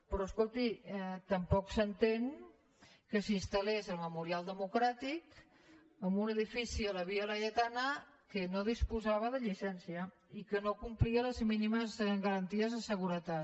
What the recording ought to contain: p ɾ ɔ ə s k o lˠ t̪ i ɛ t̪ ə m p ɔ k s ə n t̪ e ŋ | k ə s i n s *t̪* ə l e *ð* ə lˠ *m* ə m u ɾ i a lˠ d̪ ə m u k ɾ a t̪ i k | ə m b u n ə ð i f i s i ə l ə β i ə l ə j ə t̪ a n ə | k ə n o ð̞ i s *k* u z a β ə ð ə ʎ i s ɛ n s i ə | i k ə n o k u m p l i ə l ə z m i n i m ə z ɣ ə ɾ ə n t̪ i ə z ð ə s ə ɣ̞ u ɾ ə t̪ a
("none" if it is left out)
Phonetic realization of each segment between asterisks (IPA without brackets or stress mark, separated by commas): t̪, z, m, p